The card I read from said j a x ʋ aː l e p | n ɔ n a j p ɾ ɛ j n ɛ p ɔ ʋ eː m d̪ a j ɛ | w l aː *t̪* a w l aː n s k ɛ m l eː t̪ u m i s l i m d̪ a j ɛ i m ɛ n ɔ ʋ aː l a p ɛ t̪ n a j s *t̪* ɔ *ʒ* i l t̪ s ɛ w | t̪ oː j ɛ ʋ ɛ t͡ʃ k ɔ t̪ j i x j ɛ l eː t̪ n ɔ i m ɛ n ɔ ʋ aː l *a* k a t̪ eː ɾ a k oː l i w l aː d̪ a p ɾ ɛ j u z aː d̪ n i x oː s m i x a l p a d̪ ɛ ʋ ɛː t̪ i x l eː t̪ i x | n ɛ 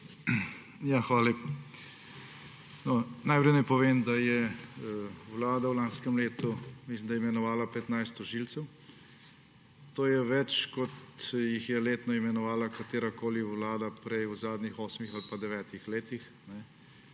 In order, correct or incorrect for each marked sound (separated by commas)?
incorrect, correct, correct, correct